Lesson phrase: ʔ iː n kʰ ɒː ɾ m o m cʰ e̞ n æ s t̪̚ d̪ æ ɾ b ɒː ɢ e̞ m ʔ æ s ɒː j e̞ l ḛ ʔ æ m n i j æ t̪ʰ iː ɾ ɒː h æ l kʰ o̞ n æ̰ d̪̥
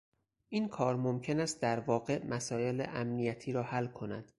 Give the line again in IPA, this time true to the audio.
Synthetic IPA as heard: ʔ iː n kʰ ɒː ɾ m o m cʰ e̞ n æ s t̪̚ d̪ æ ɾ v ɒː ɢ e̞ m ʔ æ s ɒː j e̞ l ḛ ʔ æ m n i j æ t̪ʰ iː ɾ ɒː h æ l kʰ o̞ n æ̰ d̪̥

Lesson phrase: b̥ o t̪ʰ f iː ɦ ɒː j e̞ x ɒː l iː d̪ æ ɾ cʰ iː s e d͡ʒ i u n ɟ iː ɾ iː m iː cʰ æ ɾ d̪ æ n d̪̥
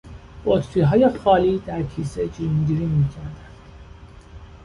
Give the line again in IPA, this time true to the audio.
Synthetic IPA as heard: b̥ o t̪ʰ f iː ɦ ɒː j e̞ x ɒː l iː d̪ æ ɾ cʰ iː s e d͡ʒ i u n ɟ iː ɾ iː m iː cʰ æ ɾ d̪ æ n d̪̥

